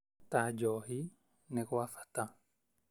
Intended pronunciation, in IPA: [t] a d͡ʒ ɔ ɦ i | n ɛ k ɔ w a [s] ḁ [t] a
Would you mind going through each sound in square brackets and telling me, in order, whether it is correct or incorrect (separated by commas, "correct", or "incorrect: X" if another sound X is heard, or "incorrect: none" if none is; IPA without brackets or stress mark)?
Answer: correct, incorrect: f, correct